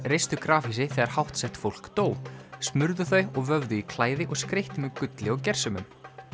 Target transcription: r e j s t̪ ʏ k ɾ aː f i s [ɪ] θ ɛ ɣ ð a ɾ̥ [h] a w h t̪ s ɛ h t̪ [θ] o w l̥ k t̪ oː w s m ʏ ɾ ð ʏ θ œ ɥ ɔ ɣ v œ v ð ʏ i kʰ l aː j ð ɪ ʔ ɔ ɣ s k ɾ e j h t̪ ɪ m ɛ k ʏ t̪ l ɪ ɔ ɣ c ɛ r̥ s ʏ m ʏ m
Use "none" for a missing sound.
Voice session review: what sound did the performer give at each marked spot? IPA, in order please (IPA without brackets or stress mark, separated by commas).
ɪ, h, f